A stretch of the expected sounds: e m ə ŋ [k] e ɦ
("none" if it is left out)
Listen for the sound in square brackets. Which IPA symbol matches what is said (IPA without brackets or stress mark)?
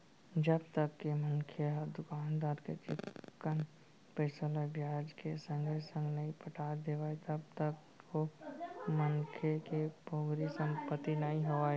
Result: kʰ